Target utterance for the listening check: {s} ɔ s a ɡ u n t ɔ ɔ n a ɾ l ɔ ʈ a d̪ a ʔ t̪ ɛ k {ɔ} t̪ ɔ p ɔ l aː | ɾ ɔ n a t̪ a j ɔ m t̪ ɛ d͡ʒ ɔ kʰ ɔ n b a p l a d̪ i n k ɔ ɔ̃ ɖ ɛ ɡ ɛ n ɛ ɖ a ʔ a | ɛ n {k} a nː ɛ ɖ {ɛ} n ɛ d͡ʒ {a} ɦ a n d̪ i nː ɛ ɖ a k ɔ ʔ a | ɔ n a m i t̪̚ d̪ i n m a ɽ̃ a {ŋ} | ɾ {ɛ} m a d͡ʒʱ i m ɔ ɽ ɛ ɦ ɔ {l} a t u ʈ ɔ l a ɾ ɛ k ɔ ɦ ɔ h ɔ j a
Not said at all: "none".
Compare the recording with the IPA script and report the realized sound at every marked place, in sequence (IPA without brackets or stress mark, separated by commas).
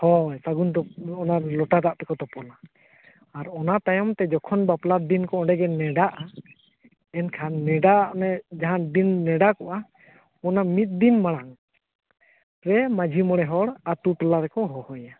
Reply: h, ɔ, kʰ, a, a, ŋ, ɛ, ɽ